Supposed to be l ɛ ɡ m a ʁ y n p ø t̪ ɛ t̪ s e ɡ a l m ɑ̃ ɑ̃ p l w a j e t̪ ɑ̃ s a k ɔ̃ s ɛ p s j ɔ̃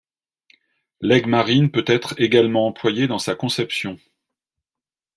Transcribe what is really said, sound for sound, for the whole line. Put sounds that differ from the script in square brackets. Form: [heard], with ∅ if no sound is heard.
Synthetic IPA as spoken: l ɛ ɡ m a ʁ [i] n p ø t̪ ɛ t̪ [χ] e ɡ a l m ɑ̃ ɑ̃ p l w a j e [d̪] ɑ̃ s a k ɔ̃ s ɛ p s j ɔ̃